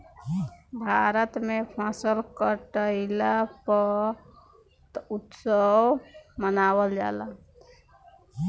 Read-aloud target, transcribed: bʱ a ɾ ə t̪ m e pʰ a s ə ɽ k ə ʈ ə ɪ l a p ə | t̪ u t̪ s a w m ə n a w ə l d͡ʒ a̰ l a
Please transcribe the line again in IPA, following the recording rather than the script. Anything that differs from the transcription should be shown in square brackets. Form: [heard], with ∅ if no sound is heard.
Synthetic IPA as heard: bʱ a ɾ ə t̪ m e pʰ a s ə [l] k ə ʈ ə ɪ l a p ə | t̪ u t̪ s [ə] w m ə n a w ə l d͡ʒ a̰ l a

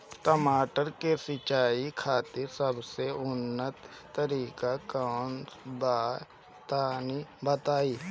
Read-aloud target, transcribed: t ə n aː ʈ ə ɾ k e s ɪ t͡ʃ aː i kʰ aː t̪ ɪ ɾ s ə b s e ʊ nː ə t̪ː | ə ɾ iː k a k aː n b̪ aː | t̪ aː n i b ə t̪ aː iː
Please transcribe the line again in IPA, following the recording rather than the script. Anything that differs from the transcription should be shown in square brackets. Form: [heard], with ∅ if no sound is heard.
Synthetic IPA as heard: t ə [m] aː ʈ ə ɾ k e s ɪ t͡ʃ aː i kʰ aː t̪ ɪ ɾ s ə b s e ʊ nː ə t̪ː | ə ɾ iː k a k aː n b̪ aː | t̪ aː n i b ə t̪ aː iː

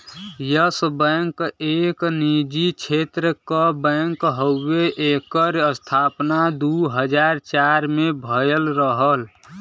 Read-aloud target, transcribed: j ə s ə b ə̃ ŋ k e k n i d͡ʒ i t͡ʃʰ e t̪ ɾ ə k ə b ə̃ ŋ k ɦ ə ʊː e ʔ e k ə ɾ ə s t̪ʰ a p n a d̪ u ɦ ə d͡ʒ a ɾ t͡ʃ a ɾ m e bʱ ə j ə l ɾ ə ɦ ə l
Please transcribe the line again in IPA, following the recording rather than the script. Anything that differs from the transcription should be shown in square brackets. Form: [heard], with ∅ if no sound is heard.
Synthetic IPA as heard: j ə s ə b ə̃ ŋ k e k n i d͡ʒ i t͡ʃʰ e t̪ ɾ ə k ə b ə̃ ŋ k ɦ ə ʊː e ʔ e k ə ɾ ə s t̪ʰ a p n a d̪ u ɦ ə d͡ʒ a ɾ t͡ʃ a ɾ m e bʱ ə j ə l ɾ ə ɦ ə l

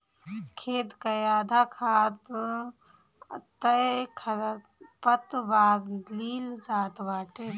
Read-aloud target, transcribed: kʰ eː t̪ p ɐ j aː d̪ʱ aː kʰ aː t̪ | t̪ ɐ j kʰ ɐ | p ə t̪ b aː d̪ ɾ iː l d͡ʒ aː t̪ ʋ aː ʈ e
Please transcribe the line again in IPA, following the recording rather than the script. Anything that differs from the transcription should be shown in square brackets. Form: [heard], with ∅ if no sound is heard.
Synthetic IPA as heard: kʰ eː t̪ [k] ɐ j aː d̪ʱ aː kʰ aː t̪ | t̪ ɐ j kʰ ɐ | p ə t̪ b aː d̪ [l] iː l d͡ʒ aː t̪ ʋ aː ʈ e

